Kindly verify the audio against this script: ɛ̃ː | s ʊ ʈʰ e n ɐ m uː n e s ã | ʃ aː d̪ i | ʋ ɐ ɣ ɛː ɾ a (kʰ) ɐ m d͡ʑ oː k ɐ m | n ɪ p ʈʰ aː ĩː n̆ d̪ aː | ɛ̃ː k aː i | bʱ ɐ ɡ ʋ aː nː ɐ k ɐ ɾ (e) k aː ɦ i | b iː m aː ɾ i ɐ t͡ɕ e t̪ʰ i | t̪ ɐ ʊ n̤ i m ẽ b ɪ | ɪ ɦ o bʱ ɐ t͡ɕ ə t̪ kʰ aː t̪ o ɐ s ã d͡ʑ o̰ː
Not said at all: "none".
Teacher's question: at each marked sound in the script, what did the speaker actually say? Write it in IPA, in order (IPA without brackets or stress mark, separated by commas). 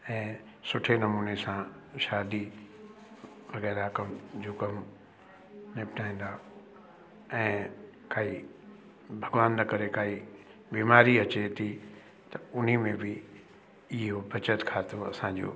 k, e